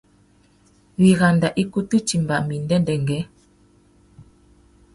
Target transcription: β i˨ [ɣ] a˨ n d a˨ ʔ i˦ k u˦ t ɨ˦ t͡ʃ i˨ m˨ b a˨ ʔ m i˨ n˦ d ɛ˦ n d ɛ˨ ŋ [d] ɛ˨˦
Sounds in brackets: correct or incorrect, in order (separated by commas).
correct, incorrect